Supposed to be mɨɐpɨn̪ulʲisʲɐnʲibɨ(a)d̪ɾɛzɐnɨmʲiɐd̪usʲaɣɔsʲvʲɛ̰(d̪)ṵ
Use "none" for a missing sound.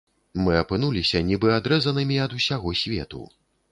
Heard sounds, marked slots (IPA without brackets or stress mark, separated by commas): a, t̪